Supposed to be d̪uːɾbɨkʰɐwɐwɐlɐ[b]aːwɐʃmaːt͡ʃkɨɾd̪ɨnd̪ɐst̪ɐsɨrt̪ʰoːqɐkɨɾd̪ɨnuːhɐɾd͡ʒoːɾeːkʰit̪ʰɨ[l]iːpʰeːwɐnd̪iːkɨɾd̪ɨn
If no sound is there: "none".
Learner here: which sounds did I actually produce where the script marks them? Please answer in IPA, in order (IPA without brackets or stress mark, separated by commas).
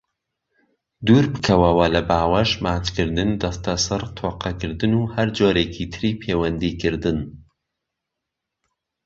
b, ɾ